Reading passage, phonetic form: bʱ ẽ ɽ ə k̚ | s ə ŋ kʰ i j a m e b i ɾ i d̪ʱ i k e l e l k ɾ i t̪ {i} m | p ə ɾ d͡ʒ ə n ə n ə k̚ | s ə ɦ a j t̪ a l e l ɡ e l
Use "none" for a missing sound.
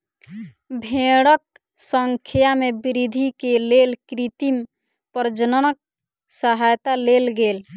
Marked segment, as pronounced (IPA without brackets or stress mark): i